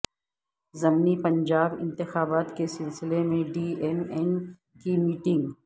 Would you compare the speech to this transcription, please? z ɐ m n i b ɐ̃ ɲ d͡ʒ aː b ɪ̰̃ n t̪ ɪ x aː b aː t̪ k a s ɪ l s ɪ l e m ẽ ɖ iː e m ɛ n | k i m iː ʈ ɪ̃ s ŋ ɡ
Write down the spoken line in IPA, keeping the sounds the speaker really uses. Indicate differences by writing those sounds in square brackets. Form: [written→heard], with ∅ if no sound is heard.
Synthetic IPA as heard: z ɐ m n i [b→p] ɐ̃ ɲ d͡ʒ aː b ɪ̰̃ n t̪ ɪ x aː b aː t̪ k [a→e] s ɪ l s ɪ l e m ẽ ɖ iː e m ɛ n | k i m iː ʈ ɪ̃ [s→∅] ŋ ɡ